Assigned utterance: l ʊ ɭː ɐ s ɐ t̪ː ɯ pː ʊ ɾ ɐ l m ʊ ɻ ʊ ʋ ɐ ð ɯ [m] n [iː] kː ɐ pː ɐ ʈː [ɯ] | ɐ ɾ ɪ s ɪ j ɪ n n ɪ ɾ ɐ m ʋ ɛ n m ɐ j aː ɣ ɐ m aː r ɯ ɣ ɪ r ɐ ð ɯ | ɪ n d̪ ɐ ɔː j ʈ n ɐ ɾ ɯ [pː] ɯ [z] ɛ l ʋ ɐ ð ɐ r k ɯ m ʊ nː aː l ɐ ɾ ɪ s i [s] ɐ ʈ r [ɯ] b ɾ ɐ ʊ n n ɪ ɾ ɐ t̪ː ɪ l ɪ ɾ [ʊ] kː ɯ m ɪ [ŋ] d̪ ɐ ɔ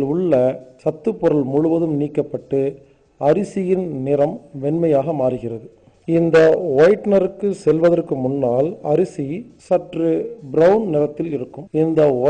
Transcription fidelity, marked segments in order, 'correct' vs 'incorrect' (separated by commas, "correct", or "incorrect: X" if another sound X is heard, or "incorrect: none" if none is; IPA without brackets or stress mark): correct, correct, correct, incorrect: kː, incorrect: s, correct, correct, incorrect: ɯ, incorrect: n